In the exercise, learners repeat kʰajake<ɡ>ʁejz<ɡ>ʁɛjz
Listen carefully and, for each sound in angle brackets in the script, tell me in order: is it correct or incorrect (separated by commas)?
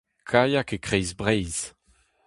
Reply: incorrect, incorrect